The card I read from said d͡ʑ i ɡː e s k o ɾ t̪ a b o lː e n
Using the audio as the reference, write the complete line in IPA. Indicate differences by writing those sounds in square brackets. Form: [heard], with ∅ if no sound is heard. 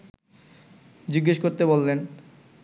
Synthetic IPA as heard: d͡ʑ i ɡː e [ʃ] k o ɾ t̪ [e] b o lː e n